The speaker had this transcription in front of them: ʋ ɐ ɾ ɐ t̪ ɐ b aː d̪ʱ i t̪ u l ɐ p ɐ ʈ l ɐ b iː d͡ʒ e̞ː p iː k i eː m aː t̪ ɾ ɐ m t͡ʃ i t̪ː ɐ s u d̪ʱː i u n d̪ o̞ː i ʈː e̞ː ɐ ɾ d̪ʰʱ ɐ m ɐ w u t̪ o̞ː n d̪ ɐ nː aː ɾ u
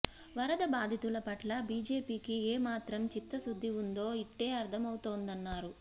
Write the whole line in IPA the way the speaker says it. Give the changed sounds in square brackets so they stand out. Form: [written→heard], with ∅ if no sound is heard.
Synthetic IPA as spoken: ʋ ɐ ɾ ɐ [t̪→d̪] ɐ b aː d̪ʱ i t̪ u l ɐ p ɐ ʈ l ɐ b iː d͡ʒ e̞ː p iː k i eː m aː t̪ ɾ ɐ m t͡ʃ i t̪ː ɐ s u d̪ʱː i u n d̪ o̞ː i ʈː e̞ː ɐ ɾ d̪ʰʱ ɐ m ɐ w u t̪ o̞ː n d̪ ɐ nː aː ɾ u